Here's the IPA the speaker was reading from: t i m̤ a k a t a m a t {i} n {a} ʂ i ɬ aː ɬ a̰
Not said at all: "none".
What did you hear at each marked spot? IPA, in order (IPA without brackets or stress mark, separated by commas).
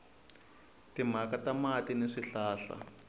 i, e